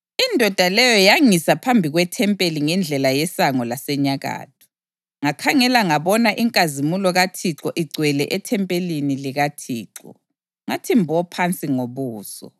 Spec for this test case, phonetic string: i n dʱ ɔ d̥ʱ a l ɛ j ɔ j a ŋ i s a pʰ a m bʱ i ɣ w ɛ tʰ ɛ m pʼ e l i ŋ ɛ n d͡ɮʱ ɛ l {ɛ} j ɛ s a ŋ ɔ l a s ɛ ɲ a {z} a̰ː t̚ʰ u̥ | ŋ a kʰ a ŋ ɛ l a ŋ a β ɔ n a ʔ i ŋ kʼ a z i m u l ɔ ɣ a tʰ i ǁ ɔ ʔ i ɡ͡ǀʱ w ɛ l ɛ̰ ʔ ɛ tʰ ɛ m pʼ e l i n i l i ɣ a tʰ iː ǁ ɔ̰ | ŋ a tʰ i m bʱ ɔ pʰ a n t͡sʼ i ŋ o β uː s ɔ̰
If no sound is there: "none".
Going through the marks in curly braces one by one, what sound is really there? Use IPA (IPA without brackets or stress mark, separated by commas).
a, ɣ